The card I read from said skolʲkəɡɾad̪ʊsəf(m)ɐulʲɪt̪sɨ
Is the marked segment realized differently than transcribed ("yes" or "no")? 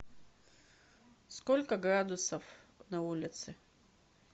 yes